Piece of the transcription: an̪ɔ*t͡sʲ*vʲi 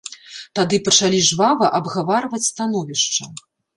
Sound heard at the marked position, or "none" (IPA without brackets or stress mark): none